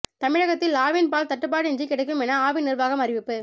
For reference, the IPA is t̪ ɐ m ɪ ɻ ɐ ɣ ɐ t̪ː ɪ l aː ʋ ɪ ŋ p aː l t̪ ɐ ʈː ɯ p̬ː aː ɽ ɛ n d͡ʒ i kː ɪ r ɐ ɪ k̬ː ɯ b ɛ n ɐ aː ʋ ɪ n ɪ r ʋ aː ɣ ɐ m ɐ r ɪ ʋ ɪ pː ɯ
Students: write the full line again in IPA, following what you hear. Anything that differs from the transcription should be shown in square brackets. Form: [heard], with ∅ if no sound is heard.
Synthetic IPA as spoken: t̪ ɐ m ɪ ɻ ɐ ɣ ɐ t̪ː ɪ l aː ʋ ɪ [n] p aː l t̪ ɐ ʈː ɯ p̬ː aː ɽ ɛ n d͡ʒ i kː ɪ [ɽ] ɐ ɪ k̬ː ɯ [m] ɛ n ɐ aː ʋ ɪ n ɪ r ʋ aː ɣ ɐ m ɐ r ɪ ʋ ɪ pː ɯ